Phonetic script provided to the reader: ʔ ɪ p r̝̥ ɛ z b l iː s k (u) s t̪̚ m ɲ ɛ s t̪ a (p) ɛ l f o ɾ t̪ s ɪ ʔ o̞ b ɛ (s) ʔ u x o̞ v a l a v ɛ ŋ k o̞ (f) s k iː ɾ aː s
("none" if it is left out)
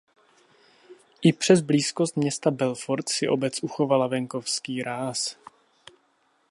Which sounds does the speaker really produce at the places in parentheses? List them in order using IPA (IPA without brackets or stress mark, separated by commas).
o, b, t͡s, f